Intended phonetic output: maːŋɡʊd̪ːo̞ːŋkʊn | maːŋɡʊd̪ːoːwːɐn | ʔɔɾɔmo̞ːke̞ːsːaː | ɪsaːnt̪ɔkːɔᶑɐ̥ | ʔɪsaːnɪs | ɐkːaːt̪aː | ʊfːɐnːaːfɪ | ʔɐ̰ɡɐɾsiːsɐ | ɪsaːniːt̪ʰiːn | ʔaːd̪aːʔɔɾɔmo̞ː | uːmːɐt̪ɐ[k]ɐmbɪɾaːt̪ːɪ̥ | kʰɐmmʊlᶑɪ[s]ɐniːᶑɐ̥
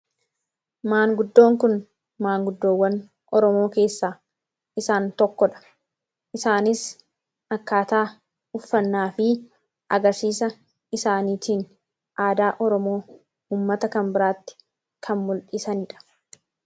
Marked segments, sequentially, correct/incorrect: correct, correct

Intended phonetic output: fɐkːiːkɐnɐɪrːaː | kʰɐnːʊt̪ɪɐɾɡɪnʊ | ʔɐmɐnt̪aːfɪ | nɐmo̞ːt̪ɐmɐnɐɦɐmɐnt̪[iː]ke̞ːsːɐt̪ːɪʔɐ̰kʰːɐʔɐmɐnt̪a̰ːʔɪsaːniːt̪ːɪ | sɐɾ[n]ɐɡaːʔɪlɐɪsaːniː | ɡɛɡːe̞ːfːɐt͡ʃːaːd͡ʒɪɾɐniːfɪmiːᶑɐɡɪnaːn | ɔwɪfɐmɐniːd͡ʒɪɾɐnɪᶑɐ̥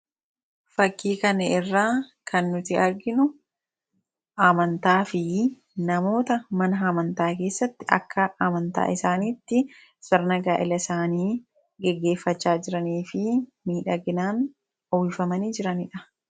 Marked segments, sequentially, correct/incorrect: incorrect, correct

